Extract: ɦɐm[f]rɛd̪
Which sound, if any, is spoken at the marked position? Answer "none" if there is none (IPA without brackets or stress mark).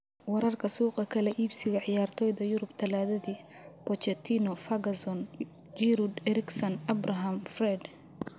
f